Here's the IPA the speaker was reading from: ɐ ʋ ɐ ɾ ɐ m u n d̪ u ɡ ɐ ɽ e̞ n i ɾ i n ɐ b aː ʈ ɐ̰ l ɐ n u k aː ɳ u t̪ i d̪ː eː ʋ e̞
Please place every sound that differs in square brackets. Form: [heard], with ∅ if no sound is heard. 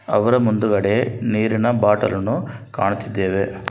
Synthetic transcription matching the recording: ɐ ʋ ɐ ɾ ɐ m u n d̪ u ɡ ɐ ɽ e̞ n [iː] ɾ i n ɐ b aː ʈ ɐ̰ l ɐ n u k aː ɳ u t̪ i d̪ː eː ʋ e̞